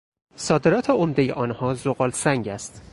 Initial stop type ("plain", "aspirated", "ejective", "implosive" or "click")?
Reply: plain